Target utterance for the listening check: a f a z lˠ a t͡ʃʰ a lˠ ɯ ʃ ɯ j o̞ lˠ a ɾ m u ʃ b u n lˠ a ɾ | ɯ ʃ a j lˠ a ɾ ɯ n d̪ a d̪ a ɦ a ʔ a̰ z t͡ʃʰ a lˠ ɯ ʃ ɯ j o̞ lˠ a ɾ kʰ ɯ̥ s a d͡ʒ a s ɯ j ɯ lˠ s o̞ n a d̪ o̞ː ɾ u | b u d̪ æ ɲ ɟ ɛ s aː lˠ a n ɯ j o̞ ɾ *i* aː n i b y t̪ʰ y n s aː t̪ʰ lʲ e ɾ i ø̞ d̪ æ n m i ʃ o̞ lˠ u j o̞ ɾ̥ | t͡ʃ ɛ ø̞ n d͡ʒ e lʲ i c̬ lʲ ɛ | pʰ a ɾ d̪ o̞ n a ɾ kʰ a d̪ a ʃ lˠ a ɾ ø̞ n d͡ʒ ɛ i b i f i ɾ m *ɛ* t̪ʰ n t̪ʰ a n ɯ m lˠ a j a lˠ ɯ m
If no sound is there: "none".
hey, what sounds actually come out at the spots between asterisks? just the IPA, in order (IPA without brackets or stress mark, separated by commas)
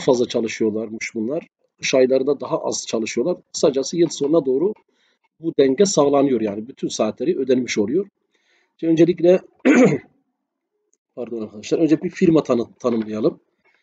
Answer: j, a